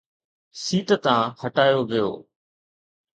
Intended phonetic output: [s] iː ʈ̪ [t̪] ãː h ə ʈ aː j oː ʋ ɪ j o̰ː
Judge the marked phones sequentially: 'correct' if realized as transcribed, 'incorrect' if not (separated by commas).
correct, correct